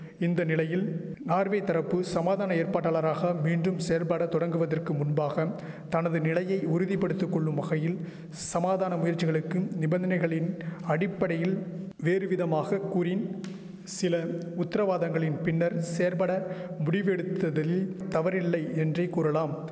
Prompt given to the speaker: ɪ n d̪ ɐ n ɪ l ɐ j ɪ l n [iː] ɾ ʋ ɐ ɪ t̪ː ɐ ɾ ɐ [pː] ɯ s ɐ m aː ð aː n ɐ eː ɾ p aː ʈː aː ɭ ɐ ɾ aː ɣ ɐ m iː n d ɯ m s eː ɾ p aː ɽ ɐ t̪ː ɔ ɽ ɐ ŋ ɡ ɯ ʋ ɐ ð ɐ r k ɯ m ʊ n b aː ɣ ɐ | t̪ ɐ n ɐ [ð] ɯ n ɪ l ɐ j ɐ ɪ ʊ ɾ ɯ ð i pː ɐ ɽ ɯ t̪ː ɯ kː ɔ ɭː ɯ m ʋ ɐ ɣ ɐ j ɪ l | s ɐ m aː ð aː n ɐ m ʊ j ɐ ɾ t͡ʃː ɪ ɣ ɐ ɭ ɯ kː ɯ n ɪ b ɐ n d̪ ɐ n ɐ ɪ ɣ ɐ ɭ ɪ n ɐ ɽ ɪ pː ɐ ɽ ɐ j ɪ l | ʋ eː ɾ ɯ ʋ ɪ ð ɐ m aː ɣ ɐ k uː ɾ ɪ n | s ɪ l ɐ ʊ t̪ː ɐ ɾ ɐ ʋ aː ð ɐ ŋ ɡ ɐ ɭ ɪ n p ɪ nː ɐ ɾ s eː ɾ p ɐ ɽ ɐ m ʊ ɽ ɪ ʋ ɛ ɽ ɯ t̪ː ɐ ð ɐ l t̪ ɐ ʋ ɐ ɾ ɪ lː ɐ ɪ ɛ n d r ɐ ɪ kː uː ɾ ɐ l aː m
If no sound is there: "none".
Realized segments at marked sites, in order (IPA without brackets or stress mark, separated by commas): aː, pː, ð